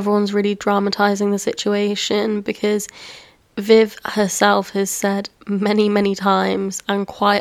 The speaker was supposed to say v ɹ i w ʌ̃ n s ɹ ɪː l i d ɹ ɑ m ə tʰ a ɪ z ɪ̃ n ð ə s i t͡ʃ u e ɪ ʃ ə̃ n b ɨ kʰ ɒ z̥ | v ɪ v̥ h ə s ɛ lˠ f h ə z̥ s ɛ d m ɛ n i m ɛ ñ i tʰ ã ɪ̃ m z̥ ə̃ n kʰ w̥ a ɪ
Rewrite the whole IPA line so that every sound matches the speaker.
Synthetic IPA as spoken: v ɹ i w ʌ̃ n z ɹ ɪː l i d ɹ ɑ m ə tʰ a ɪ z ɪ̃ ŋ ð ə s ɪ t͡ʃ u e ɪ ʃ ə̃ n b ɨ kʰ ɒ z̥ | v ɪ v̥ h ə s ɛ lˠ f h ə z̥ s ɛ d m ɛ n i m ɛ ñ i tʰ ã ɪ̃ m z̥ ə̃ n kʰ w̥ a ɪ